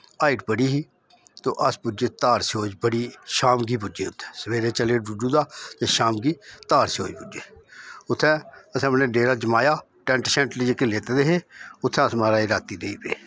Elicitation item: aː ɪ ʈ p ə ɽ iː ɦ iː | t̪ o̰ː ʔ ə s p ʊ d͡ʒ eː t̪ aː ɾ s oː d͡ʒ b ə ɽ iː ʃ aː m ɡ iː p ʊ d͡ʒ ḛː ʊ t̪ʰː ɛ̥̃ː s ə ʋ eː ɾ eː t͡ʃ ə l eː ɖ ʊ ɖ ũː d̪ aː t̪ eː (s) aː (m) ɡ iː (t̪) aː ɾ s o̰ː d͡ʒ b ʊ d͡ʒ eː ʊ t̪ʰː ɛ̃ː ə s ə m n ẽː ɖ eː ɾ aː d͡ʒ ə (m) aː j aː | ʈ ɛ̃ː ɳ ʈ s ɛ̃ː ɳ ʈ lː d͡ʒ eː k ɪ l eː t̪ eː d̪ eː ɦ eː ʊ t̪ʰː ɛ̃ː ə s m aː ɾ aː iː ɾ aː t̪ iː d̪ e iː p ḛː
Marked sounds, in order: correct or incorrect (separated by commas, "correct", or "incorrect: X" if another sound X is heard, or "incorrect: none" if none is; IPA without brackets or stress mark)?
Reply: incorrect: ʃ, correct, correct, correct